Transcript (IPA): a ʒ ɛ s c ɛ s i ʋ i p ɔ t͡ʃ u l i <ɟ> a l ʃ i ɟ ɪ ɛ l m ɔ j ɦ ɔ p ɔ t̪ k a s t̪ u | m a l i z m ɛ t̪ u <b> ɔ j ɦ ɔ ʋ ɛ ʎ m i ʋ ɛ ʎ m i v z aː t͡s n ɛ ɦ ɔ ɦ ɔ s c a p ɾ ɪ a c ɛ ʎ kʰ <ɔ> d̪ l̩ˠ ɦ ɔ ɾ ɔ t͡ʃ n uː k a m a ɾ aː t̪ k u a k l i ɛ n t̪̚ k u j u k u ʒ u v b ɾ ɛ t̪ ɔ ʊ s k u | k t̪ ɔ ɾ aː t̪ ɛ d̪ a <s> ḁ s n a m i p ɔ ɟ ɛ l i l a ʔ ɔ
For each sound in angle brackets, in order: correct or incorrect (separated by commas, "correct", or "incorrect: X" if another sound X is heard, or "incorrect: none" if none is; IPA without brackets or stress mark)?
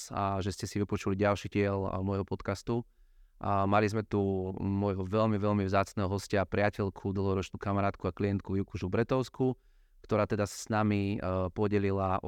correct, incorrect: m, incorrect: u, correct